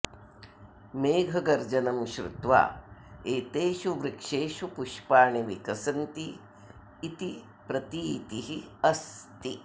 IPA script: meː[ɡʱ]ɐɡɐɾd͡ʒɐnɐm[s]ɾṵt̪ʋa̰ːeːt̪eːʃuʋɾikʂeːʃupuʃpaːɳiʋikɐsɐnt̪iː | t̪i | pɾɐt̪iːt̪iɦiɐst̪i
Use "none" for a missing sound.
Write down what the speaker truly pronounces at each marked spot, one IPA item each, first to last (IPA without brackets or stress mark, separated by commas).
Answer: ɡʱ, ʃ